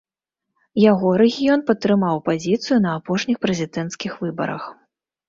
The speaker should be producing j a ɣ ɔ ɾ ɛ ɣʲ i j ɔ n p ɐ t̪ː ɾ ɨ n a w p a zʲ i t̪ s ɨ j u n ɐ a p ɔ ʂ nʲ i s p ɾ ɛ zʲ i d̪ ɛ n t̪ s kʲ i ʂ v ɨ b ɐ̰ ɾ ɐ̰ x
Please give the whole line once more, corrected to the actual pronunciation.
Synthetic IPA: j a ɣ ɔ ɾ ɛ ɣʲ i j ɔ n p ɐ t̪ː ɾ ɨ m a w p a zʲ i t̪ s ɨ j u n ɐ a p ɔ ʂ nʲ i x p ɾ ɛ zʲ i d̪ ɛ n t̪ s kʲ i x v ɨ b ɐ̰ ɾ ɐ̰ x